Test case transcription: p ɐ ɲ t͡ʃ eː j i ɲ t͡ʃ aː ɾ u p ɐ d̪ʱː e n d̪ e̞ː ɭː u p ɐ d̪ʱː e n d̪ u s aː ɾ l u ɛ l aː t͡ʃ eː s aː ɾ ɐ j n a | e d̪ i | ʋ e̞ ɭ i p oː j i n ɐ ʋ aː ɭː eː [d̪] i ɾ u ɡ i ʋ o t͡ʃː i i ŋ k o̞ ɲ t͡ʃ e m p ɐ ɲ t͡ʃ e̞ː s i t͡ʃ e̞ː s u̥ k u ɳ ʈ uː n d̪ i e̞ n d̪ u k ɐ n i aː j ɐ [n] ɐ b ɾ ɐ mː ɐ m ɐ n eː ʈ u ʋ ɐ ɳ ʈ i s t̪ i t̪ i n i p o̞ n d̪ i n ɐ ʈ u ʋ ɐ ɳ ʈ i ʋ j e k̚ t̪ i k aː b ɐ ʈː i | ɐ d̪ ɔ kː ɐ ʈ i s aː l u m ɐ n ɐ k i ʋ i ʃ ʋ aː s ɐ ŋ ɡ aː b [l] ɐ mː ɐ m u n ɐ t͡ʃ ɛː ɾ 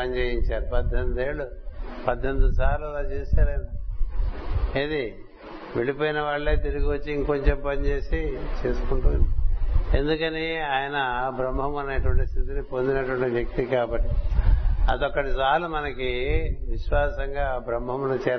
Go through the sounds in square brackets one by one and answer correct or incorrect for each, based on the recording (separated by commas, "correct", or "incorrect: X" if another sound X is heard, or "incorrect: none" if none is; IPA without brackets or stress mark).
incorrect: t̪, correct, incorrect: ɾ